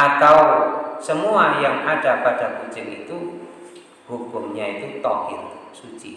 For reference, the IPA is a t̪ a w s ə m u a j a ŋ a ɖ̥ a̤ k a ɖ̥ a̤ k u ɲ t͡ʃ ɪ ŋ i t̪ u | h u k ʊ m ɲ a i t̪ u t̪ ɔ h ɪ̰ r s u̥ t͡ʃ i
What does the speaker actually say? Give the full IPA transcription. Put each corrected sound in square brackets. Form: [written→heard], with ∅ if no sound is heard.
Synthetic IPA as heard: a t̪ a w s ə m u a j a ŋ a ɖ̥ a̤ [k→p] a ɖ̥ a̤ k u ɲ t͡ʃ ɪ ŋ i t̪ u | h u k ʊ m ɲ a i t̪ u t̪ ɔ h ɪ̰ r s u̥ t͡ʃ i